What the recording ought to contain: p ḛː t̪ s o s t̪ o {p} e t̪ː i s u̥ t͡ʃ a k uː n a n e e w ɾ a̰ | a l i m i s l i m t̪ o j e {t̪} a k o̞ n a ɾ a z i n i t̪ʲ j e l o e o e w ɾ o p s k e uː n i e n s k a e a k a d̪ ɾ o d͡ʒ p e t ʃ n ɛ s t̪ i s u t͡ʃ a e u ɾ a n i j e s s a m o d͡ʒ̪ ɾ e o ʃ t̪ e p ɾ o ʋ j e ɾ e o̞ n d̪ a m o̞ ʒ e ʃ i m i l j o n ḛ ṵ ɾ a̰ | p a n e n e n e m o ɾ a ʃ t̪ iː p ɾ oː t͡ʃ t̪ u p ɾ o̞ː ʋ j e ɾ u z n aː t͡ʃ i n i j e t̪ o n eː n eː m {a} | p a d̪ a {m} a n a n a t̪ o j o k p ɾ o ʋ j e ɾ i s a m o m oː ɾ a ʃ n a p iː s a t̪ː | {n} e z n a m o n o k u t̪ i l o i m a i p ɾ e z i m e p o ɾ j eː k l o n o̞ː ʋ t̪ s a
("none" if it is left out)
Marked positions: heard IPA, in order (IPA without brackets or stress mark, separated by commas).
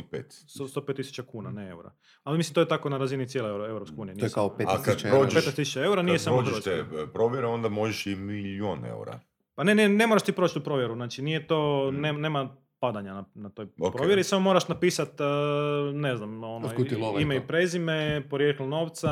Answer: p, t̪, a, ɲ, n